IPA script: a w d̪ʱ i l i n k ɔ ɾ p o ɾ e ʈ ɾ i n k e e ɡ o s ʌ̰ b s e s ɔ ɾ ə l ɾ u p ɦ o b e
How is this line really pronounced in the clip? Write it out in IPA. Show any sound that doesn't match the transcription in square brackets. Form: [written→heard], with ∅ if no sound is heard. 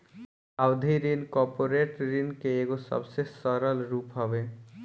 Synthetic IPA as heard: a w d̪ʱ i [l→ɾ] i n k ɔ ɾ p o ɾ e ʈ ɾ i n k e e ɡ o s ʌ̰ b s e s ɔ ɾ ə l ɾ u p ɦ [o→ɔ] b e